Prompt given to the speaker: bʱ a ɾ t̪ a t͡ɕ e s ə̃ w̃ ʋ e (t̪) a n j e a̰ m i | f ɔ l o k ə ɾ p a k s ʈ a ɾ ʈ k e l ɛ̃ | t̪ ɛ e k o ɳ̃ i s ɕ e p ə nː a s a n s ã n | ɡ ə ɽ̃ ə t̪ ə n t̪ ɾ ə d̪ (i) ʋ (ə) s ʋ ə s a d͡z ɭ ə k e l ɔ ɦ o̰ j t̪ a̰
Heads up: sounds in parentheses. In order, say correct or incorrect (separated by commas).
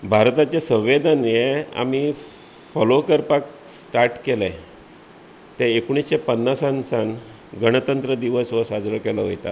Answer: incorrect, correct, correct